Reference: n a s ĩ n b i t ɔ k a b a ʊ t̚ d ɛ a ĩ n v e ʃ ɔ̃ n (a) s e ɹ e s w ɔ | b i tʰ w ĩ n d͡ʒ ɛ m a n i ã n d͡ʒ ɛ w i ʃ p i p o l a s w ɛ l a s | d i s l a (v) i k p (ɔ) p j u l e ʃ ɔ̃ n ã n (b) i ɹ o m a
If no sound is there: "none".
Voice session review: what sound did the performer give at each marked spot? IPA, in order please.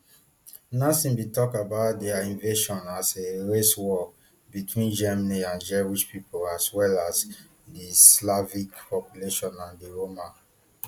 a, v, ɔ, d

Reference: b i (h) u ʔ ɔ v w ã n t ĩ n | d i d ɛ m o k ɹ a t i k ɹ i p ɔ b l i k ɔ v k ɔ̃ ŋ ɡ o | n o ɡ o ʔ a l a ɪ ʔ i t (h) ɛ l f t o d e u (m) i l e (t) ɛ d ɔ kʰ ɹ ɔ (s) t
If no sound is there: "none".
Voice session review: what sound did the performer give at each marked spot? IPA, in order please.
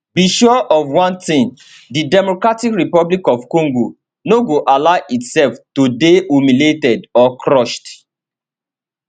ʃ, s, m, t, ʃ

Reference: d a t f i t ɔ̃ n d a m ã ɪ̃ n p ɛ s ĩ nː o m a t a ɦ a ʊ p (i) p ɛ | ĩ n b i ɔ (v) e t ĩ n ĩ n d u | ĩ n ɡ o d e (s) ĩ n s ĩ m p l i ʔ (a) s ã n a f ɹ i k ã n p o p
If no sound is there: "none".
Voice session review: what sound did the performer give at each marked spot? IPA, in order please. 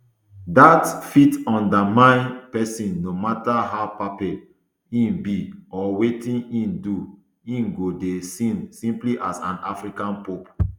a, w, s, a

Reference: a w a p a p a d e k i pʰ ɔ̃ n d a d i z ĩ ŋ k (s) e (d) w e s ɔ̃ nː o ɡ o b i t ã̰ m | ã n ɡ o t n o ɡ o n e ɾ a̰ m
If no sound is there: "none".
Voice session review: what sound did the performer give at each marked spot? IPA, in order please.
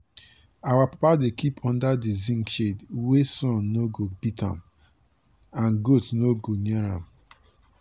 ʃ, d

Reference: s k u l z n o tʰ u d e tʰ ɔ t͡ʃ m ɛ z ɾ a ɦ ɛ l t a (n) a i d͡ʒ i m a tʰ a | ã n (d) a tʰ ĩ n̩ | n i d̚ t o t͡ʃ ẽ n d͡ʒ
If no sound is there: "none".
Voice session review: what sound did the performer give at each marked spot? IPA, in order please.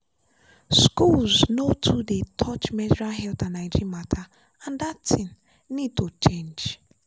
n, d

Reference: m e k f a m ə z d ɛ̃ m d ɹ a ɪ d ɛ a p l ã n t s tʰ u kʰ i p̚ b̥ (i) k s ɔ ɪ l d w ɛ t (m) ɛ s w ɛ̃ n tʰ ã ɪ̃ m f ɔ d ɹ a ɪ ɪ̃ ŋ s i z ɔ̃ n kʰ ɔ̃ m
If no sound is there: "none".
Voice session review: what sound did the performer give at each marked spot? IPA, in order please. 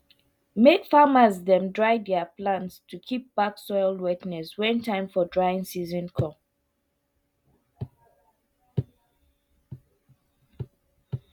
a, n

